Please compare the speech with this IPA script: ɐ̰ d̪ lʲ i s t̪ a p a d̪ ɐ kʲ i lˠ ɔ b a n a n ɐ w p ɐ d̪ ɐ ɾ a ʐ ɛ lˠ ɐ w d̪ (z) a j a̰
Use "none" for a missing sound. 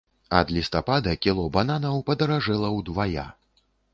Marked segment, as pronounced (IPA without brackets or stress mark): v